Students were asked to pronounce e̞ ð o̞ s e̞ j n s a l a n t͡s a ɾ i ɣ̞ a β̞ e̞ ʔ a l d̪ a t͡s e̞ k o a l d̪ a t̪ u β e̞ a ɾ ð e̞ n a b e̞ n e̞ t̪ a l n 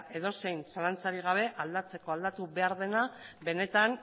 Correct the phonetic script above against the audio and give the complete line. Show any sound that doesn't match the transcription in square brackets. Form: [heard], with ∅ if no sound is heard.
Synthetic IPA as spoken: e̞ ð o̞ s e̞ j n s a l a n t͡s a ɾ i ɣ̞ a β̞ e̞ ʔ a l d̪ a t͡s e̞ k o a l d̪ a t̪ u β e̞ a ɾ ð e̞ n a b e̞ n e̞ t̪ a [∅] n